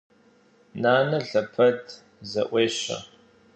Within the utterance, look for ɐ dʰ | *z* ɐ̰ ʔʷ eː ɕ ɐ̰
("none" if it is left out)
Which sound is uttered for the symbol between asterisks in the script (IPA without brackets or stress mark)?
z